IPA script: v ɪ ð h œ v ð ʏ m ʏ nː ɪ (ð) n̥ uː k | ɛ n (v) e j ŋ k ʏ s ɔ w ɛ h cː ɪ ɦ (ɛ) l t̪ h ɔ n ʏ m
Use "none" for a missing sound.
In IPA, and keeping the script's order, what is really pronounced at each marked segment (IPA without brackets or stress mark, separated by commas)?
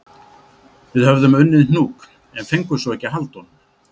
ð, f, a